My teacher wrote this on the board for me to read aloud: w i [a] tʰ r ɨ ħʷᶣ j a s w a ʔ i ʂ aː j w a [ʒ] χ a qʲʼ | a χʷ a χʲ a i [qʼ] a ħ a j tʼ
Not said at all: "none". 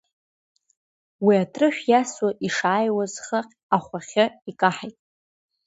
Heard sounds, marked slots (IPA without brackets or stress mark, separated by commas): a, z, kʼ